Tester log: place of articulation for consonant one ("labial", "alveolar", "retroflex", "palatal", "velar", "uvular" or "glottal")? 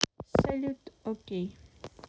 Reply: alveolar